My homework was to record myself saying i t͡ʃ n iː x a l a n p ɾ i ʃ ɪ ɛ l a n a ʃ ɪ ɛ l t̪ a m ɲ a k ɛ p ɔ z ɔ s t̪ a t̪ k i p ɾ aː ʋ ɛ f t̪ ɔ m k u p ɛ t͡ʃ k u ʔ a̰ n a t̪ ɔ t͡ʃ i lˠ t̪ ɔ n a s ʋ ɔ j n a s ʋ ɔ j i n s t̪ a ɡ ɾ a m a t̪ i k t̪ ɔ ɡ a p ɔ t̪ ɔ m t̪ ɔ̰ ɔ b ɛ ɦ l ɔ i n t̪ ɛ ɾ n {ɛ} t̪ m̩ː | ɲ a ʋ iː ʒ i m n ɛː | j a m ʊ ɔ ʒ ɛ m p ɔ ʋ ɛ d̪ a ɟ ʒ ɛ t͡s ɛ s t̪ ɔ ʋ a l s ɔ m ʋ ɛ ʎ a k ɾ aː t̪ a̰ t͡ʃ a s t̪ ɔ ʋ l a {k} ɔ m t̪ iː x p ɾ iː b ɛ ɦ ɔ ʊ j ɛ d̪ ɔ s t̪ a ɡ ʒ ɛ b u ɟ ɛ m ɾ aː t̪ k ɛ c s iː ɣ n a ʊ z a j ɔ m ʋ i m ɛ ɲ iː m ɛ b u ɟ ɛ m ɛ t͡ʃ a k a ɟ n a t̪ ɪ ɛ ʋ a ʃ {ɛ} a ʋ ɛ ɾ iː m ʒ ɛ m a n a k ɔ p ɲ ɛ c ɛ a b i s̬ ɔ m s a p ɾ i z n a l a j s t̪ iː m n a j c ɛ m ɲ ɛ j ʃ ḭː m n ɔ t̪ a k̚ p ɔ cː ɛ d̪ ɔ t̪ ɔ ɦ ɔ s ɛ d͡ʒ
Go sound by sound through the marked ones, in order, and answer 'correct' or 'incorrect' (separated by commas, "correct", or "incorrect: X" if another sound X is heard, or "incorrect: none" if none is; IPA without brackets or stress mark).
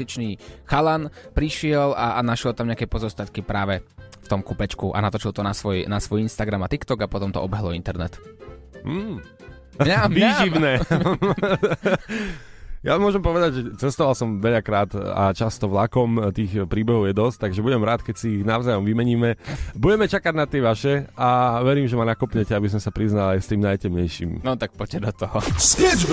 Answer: correct, correct, correct